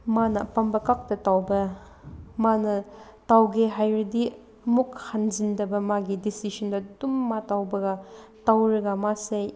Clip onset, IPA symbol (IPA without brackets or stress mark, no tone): m